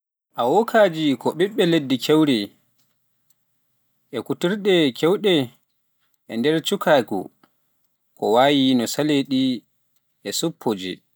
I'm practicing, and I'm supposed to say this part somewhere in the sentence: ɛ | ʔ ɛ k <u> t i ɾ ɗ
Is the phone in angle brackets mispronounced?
no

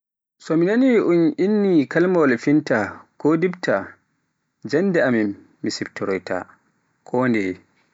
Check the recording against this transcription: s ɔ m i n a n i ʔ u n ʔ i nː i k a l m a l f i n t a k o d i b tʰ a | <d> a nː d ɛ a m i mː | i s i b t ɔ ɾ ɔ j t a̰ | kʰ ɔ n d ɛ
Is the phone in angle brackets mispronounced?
yes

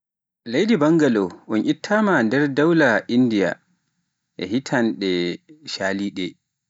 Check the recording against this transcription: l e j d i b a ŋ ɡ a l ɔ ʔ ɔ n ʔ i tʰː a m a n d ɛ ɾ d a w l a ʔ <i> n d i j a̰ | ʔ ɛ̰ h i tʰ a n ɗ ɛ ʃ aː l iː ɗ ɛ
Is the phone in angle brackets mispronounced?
no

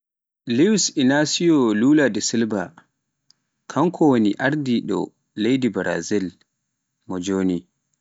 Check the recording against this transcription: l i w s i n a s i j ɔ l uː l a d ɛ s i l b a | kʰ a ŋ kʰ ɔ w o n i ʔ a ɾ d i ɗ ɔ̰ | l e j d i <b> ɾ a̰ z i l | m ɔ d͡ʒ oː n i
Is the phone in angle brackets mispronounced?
no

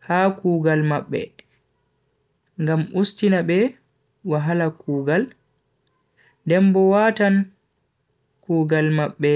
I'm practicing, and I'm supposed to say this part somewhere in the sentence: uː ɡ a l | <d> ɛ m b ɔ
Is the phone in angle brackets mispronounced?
no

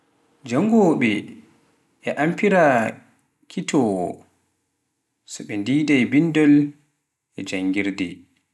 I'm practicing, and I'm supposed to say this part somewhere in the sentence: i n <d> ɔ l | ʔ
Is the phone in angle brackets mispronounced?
no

